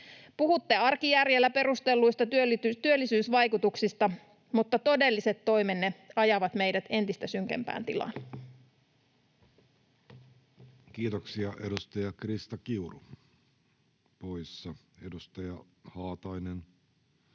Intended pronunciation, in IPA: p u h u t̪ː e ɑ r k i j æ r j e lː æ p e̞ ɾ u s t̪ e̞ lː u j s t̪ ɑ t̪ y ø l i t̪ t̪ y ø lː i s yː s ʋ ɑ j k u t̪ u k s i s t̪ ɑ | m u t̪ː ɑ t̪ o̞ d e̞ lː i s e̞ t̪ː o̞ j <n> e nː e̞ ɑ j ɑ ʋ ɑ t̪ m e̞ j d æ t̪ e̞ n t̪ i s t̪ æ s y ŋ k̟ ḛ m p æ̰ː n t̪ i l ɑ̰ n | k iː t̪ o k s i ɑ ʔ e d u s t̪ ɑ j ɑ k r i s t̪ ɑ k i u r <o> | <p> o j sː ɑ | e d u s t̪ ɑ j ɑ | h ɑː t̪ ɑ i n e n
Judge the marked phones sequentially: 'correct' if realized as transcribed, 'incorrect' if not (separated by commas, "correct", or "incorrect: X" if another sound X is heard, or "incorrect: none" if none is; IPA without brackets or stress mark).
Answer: incorrect: m, incorrect: u, correct